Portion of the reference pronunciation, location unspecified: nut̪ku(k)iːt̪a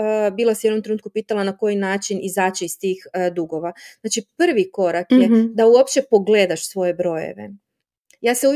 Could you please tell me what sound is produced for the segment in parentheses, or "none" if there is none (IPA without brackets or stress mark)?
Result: p